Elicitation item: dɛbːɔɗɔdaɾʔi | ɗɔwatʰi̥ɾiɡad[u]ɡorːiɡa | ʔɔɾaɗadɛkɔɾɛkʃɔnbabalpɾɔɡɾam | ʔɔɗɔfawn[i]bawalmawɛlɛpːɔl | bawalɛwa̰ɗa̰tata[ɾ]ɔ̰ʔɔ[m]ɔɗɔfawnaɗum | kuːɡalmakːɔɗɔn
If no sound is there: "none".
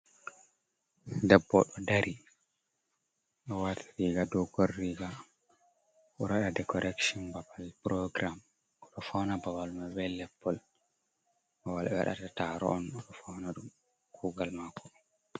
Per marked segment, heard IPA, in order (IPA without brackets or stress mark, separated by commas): ɔ, a, ɾ, n